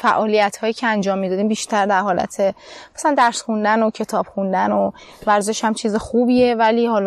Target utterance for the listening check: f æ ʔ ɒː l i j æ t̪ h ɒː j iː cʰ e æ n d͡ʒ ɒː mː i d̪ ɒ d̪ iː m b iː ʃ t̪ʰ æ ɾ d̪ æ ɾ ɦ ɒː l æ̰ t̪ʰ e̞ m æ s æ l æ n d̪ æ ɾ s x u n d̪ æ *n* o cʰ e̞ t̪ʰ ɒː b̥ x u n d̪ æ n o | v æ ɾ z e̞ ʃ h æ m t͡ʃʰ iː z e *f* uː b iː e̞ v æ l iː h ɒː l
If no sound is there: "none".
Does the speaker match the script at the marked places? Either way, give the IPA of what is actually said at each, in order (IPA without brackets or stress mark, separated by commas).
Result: n, x